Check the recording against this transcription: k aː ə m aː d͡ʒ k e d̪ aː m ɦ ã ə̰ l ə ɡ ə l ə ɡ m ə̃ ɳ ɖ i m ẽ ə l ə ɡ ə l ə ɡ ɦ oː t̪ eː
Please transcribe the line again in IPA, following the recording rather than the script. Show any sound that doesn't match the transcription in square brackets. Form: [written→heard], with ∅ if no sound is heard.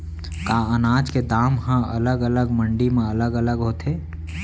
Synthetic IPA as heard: k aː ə [m→n] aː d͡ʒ k e d̪ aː m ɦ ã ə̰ l ə ɡ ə l ə ɡ m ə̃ ɳ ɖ i m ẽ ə l ə ɡ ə l ə ɡ ɦ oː t̪ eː